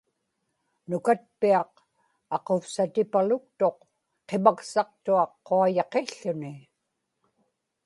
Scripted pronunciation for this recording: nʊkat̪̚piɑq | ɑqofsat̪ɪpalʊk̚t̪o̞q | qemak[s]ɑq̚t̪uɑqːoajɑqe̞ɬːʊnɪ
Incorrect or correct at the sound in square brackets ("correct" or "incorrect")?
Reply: correct